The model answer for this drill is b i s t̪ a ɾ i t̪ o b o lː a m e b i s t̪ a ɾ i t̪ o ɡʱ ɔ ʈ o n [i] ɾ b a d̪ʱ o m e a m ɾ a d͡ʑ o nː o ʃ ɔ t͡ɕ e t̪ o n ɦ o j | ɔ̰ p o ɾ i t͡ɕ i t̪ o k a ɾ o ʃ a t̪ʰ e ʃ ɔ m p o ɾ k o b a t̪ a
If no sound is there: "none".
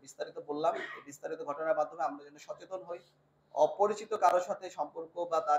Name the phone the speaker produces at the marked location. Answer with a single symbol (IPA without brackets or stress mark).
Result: a